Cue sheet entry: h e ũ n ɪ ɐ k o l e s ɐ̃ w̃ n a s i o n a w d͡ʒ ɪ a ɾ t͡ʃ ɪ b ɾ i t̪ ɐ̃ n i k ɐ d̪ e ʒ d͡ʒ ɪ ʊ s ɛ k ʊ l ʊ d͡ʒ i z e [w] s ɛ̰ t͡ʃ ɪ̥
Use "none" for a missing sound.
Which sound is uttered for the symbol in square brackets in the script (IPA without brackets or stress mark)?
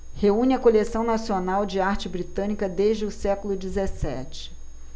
none